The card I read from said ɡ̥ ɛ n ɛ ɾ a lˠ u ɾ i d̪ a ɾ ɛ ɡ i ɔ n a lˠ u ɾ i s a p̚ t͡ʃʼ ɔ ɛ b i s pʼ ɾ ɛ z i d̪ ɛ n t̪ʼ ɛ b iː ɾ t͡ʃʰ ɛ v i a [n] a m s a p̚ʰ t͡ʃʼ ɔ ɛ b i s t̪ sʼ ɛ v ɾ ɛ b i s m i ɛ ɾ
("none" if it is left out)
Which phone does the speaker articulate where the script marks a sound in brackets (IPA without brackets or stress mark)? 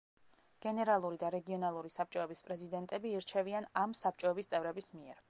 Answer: n